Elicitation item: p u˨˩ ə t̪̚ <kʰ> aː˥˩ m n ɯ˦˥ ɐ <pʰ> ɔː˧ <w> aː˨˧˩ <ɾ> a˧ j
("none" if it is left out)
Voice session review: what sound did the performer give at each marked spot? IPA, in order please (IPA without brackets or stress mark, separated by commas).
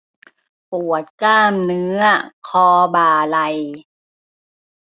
k, kʰ, b, l